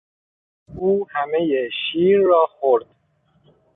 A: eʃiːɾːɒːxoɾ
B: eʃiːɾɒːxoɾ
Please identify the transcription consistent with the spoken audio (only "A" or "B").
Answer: A